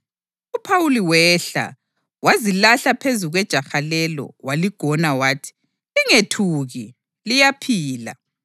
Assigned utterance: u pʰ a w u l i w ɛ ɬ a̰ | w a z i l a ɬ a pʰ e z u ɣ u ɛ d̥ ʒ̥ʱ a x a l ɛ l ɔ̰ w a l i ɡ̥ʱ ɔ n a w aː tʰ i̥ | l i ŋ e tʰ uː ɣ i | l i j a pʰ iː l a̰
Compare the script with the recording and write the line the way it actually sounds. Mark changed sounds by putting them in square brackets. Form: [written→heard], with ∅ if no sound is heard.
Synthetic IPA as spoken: u pʰ a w u l i w ɛ ɬ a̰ | w a z i l a ɬ a pʰ e z u ɣ [u→w] ɛ d̥ ʒ̥ʱ a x a l ɛ l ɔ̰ w a l i ɡ̥ʱ ɔ n a w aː tʰ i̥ | l i ŋ e tʰ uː ɣ i | l i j a pʰ iː l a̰